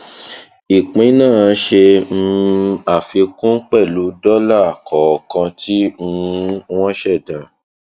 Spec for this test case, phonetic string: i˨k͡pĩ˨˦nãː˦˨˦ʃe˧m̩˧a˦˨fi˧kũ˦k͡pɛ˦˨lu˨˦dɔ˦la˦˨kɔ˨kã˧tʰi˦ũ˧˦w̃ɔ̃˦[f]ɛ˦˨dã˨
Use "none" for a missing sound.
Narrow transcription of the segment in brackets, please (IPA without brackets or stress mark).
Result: ʃ